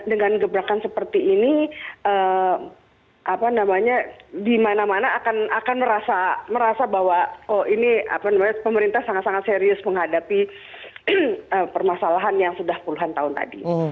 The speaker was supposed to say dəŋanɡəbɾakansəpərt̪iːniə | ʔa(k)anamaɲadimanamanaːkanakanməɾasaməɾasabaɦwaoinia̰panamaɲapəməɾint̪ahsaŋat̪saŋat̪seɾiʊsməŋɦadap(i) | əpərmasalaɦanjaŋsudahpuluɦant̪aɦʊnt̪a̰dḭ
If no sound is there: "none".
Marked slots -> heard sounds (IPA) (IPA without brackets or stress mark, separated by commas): p, i